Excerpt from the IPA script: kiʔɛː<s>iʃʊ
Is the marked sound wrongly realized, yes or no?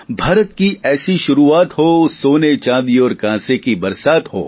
no